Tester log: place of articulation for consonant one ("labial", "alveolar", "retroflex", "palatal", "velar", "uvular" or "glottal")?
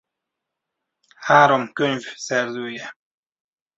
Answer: glottal